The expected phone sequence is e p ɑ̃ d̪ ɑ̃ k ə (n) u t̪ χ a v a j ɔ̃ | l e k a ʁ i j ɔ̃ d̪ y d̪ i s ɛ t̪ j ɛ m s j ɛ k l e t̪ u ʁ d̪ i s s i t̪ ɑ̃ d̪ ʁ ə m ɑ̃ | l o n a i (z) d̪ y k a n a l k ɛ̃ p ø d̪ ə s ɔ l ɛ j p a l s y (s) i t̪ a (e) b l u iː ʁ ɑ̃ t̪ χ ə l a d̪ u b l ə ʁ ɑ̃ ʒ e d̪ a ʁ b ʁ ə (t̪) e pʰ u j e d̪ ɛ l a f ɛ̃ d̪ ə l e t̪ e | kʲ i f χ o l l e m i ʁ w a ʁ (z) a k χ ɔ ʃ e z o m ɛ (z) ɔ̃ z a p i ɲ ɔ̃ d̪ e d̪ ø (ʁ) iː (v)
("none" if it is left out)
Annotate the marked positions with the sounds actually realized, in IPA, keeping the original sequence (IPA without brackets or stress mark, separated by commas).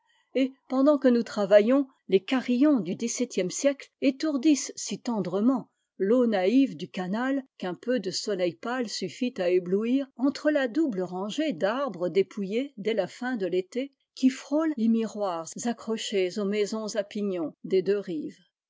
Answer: n, v, f, e, d̪, z, z, ʁ, v